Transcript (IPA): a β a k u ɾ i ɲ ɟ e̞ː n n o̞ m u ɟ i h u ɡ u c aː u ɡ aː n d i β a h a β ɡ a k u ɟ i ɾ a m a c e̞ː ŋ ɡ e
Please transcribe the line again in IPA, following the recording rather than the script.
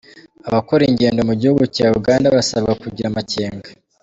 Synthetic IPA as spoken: a β a k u ɾ i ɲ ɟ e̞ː n d o̞ m u ɟ i h u ɡ u c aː u ɡ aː n d a β a s a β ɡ a k u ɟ i ɾ a m a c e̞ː ŋ ɡ a